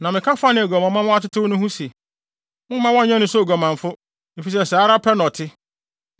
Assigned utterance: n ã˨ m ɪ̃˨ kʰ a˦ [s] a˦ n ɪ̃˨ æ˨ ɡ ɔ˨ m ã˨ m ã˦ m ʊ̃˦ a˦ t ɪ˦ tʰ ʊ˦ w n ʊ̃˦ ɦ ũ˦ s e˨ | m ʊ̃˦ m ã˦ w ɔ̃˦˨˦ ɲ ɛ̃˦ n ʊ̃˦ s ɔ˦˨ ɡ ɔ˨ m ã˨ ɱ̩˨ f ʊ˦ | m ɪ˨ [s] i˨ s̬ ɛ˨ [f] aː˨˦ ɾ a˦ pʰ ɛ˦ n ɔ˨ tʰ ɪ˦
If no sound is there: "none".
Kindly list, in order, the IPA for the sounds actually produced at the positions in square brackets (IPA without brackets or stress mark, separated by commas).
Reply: f, f, s